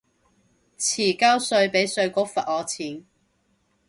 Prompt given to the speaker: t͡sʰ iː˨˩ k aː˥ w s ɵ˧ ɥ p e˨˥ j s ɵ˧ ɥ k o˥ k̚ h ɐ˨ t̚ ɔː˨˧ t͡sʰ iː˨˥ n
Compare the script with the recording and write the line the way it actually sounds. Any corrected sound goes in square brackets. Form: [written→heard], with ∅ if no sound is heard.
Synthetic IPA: t͡sʰ iː˨˩ k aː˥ w s ɵ˧ ɥ p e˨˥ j s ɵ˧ ɥ k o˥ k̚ [h→f] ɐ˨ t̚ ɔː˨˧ t͡sʰ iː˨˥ n